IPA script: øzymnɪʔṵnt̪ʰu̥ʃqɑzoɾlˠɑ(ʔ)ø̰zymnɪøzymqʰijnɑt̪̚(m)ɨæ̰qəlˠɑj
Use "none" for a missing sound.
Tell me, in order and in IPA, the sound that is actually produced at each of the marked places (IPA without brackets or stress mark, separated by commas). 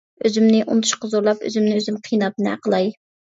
p, n